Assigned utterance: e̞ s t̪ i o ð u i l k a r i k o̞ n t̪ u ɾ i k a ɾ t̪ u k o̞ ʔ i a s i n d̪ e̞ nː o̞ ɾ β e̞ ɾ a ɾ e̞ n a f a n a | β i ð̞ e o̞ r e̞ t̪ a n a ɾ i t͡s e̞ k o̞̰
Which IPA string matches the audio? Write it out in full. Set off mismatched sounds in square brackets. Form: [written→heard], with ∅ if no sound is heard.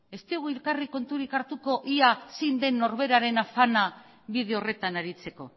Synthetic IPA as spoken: e̞ s t̪ i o [ð→ɣ] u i l k a r i k o̞ n t̪ u ɾ i k a ɾ t̪ u k o̞ ʔ i a s i n d̪ e̞ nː o̞ ɾ β e̞ ɾ a ɾ e̞ n a f a n a | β i ð̞ e o̞ r e̞ t̪ a n a ɾ i t͡s e̞ k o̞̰

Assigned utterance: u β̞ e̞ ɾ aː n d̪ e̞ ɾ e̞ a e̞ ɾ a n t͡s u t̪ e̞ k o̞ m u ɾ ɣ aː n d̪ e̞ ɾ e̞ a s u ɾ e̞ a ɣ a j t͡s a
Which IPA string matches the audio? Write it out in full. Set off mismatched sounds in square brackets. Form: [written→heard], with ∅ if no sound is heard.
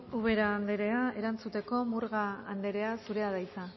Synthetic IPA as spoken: u β̞ e̞ ɾ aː n d̪ e̞ ɾ e̞ a e̞ ɾ a n t͡s u t̪ e̞ k o̞ m u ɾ ɣ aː n d̪ e̞ ɾ e̞ a s u ɾ e̞ a [ɣ→ð] a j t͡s a

